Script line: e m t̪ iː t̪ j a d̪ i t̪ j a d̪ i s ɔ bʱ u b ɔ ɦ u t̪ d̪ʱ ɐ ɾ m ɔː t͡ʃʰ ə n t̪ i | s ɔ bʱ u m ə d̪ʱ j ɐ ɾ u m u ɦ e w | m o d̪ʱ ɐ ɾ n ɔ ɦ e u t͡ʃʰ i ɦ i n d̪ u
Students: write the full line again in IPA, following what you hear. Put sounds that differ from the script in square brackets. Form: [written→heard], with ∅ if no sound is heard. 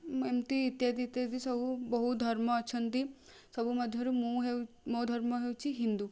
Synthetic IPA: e m t̪ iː t̪ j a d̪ i t̪ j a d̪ i s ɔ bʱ u b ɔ ɦ u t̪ d̪ʱ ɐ ɾ m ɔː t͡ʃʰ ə n t̪ i | s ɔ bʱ u m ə d̪ʱ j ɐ ɾ u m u ɦ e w | m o d̪ʱ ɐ ɾ [n→m] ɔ ɦ e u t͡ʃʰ i ɦ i n d̪ u